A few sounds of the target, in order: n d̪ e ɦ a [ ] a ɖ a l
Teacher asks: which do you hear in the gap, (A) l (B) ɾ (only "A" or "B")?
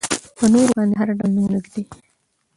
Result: B